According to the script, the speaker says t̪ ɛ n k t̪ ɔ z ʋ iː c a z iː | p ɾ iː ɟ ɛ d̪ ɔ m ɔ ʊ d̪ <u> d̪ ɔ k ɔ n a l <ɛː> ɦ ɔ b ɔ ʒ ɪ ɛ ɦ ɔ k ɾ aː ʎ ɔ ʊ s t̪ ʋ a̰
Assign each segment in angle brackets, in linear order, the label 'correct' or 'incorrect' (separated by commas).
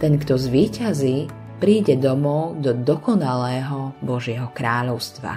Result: incorrect, correct